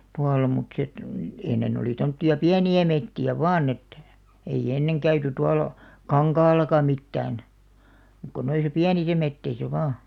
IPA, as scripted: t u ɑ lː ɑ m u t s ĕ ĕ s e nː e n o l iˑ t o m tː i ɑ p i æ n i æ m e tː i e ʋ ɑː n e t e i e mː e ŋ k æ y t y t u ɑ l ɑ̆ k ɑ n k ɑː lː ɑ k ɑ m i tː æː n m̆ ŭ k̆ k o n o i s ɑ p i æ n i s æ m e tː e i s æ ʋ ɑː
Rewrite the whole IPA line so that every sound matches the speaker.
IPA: t u ɑ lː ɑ m u t s ĕ ĕ t e nː e n o l iˑ t o m tː i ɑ p i æ n i æ m e tː i æ ʋ ɑː n e t e i e nː e ŋ k æ y t y t u ɑ l ɑ̆ k ɑ ŋ k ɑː lː ɑ k ɑ m i tː æː n m̆ ŭ k̆ k o n o i s ɑ p i æ n i s æ m e tː e i s æ ʋ ɑː